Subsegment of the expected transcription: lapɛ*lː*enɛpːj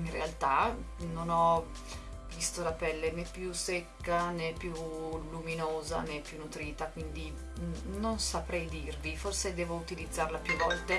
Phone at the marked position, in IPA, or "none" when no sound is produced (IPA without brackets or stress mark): lː